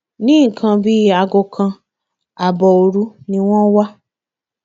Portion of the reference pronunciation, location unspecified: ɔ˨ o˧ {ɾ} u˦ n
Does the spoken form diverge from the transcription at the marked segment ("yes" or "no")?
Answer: no